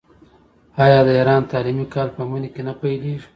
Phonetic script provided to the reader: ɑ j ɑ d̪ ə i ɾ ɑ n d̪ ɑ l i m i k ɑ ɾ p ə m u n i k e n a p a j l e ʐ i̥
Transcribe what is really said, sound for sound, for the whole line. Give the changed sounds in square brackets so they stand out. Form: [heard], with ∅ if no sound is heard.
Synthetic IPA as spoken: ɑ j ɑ d̪ ə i ɾ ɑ n [t̪] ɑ l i m i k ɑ [l] p ə m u n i k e n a p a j l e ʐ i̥